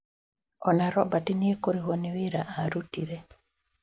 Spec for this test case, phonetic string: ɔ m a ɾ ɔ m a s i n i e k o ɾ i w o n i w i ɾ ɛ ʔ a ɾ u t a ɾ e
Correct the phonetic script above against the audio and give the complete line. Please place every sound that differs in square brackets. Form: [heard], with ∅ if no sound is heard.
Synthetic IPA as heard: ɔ [n] a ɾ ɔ [b] a [t] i n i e k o ɾ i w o n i w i ɾ [a] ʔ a ɾ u t [i] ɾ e